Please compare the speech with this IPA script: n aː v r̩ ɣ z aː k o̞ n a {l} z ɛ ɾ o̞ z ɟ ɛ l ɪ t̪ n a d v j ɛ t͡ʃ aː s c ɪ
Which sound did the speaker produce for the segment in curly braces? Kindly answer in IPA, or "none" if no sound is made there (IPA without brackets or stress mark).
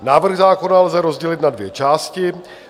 l